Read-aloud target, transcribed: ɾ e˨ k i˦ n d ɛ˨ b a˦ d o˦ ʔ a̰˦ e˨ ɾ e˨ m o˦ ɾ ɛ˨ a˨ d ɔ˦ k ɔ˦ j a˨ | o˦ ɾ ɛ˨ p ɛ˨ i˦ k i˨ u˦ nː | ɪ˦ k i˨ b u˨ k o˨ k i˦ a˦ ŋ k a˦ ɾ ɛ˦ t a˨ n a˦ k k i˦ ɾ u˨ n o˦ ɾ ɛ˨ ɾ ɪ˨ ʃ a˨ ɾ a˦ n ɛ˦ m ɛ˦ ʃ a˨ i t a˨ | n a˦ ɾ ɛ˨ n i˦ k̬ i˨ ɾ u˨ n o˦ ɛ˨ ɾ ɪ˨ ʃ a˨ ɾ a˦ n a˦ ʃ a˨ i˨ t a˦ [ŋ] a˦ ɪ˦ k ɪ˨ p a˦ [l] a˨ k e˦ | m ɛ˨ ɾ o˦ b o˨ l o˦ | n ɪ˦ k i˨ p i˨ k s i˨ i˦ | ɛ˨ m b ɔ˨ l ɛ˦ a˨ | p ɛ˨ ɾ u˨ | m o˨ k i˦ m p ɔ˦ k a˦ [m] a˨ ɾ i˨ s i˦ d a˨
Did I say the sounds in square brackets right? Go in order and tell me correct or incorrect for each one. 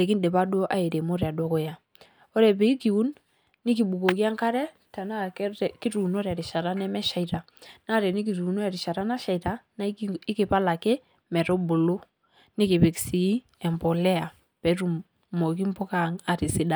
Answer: incorrect: n, correct, incorrect: ŋ

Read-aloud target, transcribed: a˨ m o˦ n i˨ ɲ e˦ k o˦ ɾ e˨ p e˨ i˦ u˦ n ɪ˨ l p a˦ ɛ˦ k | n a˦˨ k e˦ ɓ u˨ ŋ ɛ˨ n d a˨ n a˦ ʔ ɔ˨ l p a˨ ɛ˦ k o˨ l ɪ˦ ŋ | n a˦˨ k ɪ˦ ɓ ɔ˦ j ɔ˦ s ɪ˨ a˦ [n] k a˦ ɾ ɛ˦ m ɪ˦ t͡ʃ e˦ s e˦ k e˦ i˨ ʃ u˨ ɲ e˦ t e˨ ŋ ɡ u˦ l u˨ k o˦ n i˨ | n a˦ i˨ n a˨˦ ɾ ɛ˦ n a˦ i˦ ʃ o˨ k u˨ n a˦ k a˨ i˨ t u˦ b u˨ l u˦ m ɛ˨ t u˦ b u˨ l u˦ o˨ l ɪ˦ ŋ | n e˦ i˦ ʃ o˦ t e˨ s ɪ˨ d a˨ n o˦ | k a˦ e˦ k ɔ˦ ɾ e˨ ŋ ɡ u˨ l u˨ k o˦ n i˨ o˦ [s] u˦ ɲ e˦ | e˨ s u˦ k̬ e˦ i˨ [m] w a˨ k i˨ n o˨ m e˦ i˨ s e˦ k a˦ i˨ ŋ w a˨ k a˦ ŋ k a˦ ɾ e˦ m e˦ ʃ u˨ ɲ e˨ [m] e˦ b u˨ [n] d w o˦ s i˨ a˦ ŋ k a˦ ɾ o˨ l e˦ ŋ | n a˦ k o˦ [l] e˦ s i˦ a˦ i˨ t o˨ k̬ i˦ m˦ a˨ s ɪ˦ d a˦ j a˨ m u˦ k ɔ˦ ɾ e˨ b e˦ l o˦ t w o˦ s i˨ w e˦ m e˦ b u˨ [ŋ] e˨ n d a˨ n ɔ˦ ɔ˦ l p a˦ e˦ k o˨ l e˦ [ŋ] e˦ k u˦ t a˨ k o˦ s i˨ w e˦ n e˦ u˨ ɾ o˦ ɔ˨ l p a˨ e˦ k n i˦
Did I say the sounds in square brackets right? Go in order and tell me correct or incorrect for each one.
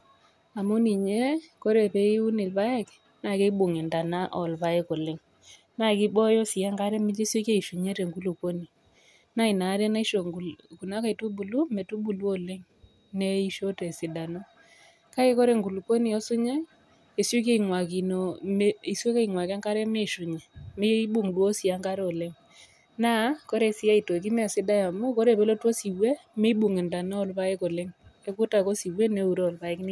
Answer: incorrect: ŋ, correct, incorrect: ŋ, correct, incorrect: ŋ, incorrect: ɾ, correct, correct

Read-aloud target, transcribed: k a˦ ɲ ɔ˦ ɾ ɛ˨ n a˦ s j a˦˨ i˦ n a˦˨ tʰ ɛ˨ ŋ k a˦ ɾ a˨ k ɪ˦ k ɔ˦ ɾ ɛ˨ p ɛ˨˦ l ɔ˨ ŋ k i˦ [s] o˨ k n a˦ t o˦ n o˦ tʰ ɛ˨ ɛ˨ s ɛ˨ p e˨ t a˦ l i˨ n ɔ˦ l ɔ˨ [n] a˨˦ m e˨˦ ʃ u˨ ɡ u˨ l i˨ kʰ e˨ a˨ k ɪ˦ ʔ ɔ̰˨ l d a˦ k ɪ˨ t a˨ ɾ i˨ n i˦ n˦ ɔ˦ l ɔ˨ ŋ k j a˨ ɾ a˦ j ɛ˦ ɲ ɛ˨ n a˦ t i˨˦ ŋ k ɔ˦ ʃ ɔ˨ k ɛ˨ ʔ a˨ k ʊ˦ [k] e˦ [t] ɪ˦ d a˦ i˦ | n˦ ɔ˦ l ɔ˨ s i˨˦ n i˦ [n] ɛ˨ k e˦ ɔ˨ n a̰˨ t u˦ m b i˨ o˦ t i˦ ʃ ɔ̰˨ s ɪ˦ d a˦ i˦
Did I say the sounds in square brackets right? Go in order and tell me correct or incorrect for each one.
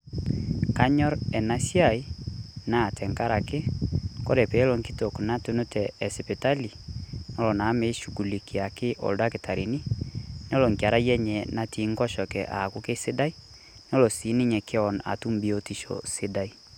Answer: incorrect: t, correct, correct, incorrect: s, incorrect: ɲ

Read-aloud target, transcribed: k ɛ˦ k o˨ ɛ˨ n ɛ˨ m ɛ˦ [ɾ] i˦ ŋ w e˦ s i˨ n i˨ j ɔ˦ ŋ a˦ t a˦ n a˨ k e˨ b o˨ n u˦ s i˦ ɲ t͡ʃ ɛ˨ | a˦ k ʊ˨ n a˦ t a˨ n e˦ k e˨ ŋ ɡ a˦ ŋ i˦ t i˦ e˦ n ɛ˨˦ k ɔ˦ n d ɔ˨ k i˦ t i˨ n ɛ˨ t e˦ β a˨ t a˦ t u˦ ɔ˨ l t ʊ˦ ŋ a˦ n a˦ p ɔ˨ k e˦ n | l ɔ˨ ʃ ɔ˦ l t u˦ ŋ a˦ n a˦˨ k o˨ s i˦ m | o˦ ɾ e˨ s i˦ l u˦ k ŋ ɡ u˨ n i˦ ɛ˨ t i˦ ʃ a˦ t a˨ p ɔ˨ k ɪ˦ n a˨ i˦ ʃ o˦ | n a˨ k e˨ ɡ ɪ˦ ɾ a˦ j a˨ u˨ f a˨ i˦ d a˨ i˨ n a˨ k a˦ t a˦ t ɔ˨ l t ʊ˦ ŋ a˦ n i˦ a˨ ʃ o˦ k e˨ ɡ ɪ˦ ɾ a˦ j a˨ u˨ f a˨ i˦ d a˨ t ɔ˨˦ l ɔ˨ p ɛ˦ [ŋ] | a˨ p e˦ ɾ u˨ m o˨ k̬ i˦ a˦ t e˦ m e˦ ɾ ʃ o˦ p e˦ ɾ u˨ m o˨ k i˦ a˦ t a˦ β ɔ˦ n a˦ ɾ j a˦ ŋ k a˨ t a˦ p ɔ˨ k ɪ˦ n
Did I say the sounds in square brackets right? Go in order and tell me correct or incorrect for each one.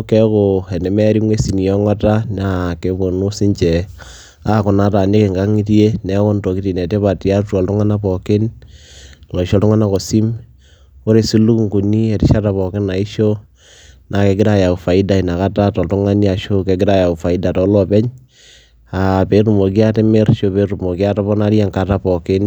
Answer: correct, incorrect: ɲ

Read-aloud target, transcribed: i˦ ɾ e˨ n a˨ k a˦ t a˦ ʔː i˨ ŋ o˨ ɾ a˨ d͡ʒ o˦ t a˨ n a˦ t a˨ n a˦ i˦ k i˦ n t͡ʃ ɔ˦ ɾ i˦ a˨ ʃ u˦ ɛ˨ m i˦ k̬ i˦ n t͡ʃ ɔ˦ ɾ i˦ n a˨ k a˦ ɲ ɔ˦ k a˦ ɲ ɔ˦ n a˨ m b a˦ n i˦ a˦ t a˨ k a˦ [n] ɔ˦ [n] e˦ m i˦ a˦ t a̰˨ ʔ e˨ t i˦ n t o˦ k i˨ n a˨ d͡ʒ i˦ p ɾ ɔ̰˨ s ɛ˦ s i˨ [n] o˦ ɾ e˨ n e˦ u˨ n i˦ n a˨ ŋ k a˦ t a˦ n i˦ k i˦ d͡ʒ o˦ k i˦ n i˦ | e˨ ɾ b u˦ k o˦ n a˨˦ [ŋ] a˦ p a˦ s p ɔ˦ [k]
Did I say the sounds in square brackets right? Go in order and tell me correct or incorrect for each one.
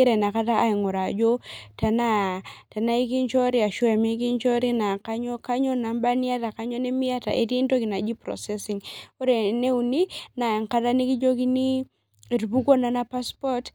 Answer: incorrect: ɲ, correct, incorrect: ŋ, incorrect: n, incorrect: t

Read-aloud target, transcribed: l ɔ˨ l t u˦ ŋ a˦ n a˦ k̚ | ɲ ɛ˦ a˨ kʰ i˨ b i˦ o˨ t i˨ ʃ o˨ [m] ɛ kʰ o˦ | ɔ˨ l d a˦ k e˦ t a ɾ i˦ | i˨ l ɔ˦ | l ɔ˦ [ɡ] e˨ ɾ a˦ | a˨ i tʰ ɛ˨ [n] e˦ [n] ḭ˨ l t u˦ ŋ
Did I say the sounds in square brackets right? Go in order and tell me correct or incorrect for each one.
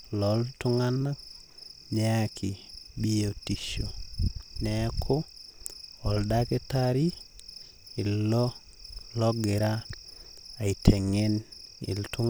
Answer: incorrect: n, correct, incorrect: ŋ, correct

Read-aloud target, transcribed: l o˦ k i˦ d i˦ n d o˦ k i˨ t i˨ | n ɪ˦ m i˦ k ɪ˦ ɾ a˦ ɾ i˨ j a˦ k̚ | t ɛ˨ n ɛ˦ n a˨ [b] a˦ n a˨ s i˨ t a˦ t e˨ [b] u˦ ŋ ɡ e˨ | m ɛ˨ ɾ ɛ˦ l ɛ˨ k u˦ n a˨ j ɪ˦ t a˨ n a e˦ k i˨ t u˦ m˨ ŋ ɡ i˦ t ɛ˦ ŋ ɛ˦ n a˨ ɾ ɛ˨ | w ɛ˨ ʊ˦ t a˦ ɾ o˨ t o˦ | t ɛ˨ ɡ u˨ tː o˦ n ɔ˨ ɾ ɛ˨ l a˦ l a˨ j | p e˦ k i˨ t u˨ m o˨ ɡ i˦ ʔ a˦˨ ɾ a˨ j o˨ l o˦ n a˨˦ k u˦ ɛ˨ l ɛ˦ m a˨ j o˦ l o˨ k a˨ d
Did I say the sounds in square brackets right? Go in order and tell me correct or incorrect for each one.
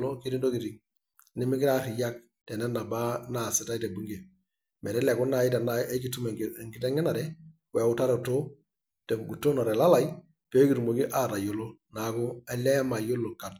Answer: correct, correct

